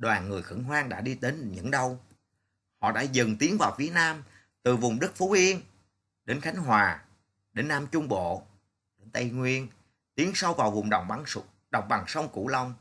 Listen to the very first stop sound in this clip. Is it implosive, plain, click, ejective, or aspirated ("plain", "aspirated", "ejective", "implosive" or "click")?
implosive